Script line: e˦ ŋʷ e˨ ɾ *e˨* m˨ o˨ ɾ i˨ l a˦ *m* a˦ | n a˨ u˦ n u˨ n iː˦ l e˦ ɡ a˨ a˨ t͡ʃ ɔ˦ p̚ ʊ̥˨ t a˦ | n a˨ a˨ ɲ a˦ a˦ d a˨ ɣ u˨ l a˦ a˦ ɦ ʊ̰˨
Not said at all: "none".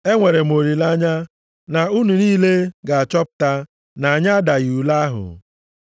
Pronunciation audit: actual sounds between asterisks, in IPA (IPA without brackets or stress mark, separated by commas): e˨, ɲ